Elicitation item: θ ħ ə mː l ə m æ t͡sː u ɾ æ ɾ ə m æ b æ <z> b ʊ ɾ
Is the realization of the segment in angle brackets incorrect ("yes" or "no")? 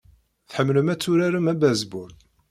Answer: no